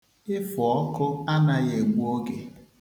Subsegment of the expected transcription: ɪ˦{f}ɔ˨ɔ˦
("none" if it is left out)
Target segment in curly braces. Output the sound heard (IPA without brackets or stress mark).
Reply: f